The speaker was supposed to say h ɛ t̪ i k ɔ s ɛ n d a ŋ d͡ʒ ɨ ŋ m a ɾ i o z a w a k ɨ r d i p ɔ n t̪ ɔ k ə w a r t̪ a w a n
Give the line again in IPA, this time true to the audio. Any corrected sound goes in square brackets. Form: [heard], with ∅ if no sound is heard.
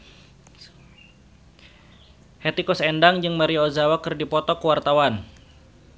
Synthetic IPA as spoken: h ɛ t̪ i k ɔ s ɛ n d a ŋ d͡ʒ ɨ ŋ m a ɾ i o z a w a k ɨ r d i p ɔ [∅] t̪ ɔ k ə w a r t̪ a w a n

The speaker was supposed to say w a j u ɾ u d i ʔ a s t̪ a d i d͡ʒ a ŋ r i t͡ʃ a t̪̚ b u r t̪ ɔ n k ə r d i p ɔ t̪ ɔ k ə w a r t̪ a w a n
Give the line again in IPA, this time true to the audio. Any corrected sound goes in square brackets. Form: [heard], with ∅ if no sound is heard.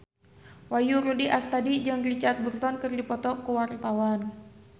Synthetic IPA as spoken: w a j u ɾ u d i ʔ a s t̪ a d i d͡ʒ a ŋ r i t͡ʃ a t̪̚ b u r t̪ ɔ n k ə r d i p ɔ t̪ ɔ k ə w a r t̪ a w a n

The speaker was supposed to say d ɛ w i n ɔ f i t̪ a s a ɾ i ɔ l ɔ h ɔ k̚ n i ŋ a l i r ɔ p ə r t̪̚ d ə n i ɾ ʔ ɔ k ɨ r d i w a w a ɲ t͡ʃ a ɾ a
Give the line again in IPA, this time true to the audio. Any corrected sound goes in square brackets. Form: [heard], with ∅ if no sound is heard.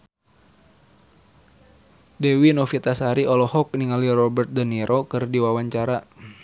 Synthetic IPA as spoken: d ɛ w i n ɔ f i t̪ a s a ɾ i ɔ l ɔ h ɔ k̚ n i ŋ a l i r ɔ [b] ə r t̪̚ d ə n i ɾ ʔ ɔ k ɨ r d i w a w a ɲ t͡ʃ a ɾ a

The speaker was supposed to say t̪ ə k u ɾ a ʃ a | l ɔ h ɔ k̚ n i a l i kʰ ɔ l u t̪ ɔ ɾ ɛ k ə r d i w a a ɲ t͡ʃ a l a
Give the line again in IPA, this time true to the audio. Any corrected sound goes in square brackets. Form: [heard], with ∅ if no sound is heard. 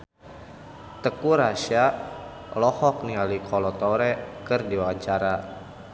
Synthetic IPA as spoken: t̪ ə k u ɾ a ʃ a | l ɔ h ɔ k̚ n i a l i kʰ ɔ l [ɔ] t̪ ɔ ɾ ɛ k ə r d i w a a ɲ t͡ʃ a [ɾ] a

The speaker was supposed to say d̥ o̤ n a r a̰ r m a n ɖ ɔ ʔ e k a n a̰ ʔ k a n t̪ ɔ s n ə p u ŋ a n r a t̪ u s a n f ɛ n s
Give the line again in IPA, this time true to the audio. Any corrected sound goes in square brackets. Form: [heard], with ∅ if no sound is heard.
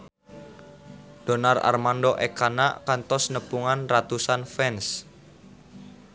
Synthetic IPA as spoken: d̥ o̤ n a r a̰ r m a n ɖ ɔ ʔ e k a n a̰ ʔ k a n t̪ ɔ s n ə p u ŋ a n r a t̪ u s a n f ɛ n s

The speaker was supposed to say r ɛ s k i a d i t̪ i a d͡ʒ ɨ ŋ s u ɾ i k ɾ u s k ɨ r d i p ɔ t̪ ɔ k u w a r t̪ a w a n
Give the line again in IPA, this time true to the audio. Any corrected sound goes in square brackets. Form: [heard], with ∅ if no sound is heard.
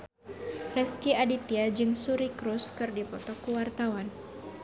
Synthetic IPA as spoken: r ɛ s k i a d i t̪ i a d͡ʒ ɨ ŋ s u ɾ i k ɾ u s k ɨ r d i p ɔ t̪ ɔ k u w a r t̪ a w a n

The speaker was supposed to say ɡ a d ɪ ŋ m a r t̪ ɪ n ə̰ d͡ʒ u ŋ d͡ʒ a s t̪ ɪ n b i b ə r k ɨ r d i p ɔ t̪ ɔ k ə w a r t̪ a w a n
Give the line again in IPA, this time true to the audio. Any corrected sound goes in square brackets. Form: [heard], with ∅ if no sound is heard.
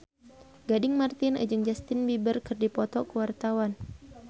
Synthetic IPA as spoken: ɡ a d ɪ ŋ m a r t̪ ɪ n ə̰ d͡ʒ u ŋ d͡ʒ a s t̪ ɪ n b i b ə r k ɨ r d i p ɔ t̪ ɔ k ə w a r t̪ a w a n

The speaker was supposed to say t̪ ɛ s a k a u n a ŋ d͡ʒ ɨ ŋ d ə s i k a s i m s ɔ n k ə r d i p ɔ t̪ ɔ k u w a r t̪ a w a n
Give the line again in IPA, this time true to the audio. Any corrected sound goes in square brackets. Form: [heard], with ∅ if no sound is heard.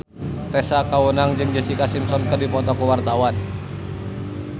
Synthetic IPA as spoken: t̪ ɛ s a k a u n a ŋ d͡ʒ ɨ ŋ [d͡ʒ] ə s i k a s i m s ɔ n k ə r d i p ɔ t̪ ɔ k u w a r t̪ a w a n

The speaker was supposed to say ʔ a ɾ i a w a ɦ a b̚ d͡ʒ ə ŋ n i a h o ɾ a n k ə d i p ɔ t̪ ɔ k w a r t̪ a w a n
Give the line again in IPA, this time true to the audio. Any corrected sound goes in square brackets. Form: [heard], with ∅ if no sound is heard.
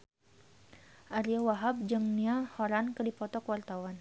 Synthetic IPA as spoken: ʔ a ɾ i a w a ɦ a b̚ d͡ʒ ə ŋ n i a h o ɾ a n k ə d i p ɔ t̪ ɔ k w a r t̪ a w a n

